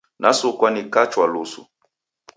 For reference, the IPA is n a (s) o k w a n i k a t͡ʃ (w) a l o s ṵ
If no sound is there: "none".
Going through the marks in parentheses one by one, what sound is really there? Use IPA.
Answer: s, w

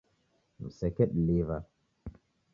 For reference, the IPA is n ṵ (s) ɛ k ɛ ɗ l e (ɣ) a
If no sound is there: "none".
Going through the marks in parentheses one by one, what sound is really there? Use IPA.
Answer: s, v

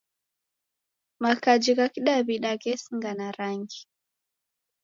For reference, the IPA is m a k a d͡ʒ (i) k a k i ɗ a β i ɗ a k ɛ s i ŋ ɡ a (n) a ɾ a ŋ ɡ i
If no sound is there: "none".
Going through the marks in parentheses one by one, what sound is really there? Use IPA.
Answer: i, n

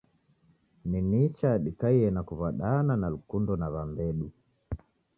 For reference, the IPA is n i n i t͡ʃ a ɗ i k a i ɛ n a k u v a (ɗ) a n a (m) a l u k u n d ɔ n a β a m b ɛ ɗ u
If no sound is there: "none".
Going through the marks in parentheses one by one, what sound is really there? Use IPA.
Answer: ɗ, n

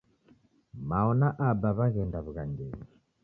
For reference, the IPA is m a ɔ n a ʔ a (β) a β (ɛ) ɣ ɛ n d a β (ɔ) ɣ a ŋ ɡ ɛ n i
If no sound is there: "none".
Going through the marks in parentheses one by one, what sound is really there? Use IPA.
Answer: b, a, u

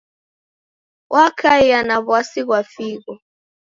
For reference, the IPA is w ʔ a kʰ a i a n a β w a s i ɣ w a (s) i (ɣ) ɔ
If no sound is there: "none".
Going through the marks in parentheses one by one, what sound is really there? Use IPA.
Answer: f, ɣ

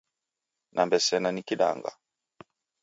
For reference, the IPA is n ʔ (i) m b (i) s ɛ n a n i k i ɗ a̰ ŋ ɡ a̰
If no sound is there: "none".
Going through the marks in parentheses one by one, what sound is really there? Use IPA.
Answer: a, ɛ

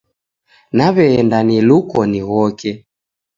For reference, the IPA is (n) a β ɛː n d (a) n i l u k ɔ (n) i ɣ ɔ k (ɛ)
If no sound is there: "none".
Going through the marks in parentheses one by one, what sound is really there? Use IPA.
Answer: n, a, n, ɛ

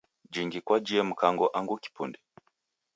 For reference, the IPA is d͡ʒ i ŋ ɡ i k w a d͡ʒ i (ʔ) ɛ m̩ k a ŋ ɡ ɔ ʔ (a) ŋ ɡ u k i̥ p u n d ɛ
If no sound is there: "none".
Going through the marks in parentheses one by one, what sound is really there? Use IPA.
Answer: none, a

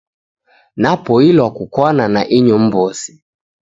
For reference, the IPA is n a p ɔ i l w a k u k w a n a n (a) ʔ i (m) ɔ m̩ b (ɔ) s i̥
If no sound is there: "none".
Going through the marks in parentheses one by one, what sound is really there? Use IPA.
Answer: a, ɲ, ɔ

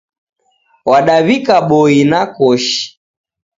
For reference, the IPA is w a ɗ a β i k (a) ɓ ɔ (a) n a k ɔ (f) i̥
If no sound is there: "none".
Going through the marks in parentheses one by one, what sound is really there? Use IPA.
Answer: a, i, ʃ

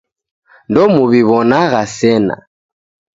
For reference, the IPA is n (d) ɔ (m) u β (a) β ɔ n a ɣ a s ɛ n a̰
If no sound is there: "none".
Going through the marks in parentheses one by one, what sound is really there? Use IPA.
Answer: d, m, i

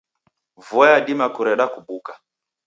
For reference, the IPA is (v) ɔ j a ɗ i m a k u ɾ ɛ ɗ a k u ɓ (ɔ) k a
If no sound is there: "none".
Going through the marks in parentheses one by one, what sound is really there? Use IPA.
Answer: v, u

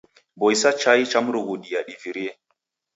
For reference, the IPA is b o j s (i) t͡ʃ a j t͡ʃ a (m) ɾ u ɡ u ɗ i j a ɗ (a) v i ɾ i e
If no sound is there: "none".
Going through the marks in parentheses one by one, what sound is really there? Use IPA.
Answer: a, m, i

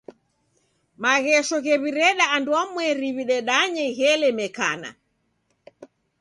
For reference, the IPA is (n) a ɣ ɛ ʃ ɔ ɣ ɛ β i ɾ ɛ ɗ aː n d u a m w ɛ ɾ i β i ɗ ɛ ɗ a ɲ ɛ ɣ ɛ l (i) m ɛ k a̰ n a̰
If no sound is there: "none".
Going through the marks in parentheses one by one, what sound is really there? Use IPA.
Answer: m, ɛ

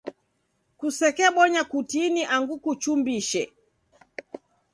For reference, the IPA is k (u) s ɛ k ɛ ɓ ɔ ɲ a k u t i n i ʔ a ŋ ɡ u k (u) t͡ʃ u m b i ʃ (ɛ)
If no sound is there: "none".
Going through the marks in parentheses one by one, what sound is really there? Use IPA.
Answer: u, u, ɛ

